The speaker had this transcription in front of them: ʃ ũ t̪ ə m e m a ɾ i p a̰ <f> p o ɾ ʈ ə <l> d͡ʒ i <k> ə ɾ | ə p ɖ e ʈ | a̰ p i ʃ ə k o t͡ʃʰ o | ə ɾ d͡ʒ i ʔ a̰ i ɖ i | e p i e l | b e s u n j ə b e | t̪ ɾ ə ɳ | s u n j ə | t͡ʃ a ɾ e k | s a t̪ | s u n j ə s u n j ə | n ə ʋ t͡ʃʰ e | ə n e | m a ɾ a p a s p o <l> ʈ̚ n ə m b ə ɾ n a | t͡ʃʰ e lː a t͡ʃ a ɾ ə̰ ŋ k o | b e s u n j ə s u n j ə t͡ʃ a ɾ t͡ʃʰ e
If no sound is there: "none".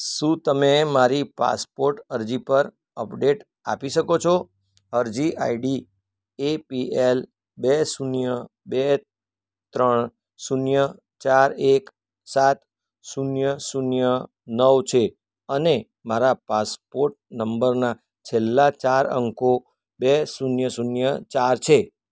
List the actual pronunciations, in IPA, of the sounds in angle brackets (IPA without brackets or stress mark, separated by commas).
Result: s, ɾ, p, ɾ